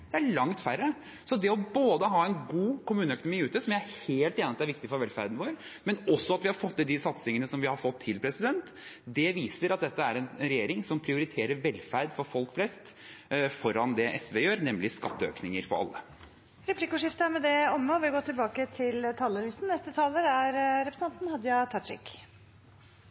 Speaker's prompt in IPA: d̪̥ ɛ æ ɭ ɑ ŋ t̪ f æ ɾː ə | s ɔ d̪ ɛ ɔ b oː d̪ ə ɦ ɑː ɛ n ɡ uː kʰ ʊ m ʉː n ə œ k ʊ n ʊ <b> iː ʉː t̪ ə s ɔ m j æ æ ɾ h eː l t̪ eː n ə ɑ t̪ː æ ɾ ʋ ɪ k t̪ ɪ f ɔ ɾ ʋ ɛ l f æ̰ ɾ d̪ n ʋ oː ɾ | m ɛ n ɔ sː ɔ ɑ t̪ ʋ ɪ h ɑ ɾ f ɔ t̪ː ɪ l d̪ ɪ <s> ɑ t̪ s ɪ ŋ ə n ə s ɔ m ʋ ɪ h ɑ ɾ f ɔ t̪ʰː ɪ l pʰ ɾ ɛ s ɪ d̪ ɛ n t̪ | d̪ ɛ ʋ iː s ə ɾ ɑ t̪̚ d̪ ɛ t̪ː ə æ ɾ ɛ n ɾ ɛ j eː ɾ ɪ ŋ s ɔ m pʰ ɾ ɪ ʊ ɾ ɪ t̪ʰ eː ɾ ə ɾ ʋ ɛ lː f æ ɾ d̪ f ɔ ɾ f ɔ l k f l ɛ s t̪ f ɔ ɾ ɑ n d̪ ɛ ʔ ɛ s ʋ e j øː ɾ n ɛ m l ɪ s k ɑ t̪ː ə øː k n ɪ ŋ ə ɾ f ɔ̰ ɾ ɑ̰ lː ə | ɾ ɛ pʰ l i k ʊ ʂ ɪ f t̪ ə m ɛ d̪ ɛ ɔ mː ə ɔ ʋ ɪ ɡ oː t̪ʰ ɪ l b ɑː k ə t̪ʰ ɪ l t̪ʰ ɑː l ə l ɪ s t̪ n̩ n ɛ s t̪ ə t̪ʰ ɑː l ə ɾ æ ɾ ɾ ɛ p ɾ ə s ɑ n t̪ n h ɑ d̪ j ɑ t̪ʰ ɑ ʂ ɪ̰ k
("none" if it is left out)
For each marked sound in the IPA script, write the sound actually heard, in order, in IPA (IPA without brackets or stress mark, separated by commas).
m, s